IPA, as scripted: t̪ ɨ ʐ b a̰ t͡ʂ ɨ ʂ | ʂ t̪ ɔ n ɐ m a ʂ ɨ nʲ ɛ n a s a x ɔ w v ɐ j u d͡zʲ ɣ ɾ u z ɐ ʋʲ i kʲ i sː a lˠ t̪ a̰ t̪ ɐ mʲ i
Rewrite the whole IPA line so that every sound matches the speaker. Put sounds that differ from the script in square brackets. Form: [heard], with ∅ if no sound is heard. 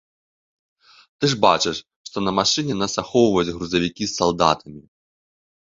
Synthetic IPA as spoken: t̪ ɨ ʐ b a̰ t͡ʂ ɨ ʂ | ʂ t̪ ɔ n ɐ m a ʂ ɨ nʲ ɛ n a s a x ɔ w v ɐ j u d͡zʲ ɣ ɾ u z ɐ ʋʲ i kʲ i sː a lˠ [d̪] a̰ t̪ ɐ mʲ i